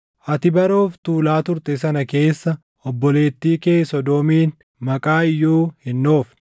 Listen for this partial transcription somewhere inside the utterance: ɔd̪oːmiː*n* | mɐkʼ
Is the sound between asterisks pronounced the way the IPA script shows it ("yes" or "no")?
yes